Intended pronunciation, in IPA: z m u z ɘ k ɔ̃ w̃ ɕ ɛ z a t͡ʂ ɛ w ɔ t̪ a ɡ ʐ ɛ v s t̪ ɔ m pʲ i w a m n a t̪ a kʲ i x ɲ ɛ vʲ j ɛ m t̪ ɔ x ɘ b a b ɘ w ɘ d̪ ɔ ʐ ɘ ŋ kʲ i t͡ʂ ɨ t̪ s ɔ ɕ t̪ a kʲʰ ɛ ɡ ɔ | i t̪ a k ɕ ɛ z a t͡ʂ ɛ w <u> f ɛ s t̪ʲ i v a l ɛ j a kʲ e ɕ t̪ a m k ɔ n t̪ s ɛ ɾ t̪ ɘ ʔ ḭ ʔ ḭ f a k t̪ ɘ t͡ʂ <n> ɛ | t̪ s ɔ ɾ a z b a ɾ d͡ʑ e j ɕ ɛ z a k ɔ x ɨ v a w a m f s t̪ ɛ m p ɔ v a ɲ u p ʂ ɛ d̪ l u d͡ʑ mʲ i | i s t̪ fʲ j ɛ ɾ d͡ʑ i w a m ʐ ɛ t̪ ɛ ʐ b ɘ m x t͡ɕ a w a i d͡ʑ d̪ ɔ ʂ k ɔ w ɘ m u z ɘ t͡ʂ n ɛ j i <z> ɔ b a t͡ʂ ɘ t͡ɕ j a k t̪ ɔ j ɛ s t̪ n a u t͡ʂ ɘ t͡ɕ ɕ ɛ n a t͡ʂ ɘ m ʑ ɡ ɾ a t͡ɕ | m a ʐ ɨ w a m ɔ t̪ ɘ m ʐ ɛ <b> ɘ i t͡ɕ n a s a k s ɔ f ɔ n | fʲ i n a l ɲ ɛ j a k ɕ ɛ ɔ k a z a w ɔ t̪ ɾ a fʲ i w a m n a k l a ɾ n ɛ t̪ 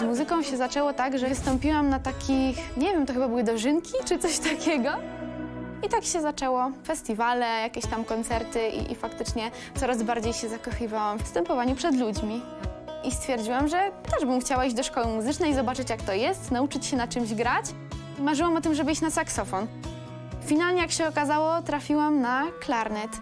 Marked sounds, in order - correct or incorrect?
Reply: incorrect: ɔ, incorrect: ɲ, correct, correct

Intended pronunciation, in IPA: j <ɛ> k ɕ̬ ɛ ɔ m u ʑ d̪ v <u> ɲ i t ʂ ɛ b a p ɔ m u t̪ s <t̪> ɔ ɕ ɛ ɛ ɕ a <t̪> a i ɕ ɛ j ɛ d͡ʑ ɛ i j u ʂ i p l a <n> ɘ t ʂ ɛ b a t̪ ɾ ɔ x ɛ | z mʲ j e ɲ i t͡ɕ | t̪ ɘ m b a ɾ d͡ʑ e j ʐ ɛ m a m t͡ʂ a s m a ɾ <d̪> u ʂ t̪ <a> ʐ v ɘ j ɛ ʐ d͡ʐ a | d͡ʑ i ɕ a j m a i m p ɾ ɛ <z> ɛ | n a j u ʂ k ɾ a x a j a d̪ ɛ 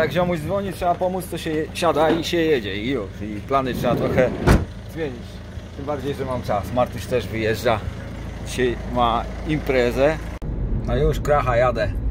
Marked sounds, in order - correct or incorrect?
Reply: incorrect: a, incorrect: ɔ, correct, incorrect: d̪, correct, incorrect: t̪, incorrect: ɛ, correct

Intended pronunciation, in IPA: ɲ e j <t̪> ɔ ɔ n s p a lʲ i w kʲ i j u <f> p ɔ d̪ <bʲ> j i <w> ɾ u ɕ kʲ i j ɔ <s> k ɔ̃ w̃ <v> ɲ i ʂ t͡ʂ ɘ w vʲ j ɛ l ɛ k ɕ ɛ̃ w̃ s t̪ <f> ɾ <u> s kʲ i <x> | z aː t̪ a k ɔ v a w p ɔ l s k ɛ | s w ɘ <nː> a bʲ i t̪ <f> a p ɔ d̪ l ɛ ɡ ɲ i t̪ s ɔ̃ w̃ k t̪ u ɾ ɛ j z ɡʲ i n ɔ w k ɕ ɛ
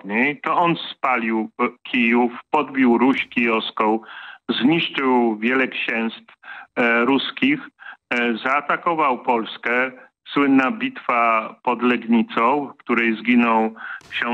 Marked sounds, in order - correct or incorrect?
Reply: correct, correct, correct, correct, correct, incorrect: z, correct, correct, correct, correct, correct

